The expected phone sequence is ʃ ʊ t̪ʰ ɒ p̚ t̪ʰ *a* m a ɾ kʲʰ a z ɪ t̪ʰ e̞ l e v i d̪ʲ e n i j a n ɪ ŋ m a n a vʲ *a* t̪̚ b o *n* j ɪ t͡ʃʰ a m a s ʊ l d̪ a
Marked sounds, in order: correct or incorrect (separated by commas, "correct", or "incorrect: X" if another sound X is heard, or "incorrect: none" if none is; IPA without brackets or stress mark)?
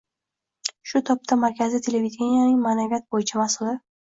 correct, correct, incorrect: none